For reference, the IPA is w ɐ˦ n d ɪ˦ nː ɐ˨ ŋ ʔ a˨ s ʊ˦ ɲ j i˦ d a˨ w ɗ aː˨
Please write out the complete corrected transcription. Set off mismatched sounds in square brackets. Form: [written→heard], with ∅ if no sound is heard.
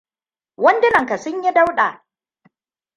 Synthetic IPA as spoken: w ɐ˦ n d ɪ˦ [nː→n] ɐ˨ ŋ [ʔ→k] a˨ s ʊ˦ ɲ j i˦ d [a˨→a˦] w ɗ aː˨